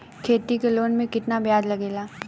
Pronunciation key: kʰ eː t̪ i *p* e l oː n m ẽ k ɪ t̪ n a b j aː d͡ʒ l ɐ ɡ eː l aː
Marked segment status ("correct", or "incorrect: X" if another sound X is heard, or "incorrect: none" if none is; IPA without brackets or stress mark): incorrect: k